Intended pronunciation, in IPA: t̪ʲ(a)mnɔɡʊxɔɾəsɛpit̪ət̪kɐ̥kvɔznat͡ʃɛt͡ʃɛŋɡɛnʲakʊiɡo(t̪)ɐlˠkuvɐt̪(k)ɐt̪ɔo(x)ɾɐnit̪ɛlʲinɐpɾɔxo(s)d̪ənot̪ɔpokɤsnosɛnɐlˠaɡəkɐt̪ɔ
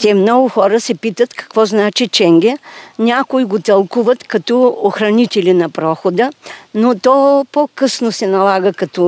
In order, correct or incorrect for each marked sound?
incorrect, correct, correct, correct, incorrect

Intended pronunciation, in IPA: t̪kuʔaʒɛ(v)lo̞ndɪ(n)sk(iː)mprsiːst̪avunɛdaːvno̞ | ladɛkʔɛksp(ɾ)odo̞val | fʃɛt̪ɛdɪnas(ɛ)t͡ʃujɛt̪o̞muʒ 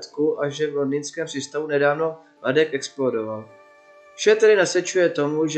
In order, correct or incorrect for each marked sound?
correct, correct, incorrect, incorrect, correct

